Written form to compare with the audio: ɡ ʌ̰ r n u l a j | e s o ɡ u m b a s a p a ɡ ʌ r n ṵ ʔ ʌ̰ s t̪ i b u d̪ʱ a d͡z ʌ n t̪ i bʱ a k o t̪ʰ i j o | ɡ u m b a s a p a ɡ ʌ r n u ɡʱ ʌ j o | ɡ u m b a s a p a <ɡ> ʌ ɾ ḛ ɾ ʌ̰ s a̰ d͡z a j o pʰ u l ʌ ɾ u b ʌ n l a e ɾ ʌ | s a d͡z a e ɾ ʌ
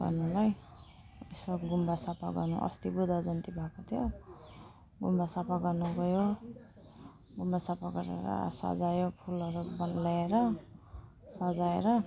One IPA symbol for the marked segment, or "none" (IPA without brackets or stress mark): ɡ